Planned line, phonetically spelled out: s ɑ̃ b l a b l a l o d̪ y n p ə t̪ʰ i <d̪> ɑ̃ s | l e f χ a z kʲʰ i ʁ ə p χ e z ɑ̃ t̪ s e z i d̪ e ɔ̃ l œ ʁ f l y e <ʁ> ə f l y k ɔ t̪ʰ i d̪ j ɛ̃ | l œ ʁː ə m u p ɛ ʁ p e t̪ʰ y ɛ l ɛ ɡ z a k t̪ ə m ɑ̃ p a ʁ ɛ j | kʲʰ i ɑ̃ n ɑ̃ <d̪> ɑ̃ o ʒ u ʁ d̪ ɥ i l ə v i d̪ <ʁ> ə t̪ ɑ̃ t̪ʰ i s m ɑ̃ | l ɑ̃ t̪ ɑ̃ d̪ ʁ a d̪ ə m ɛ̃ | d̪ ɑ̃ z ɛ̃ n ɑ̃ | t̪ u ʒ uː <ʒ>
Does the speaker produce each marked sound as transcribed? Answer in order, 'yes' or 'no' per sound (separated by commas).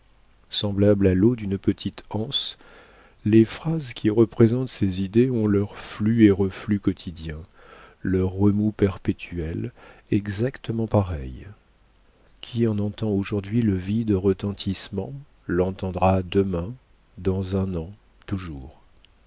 no, yes, no, yes, no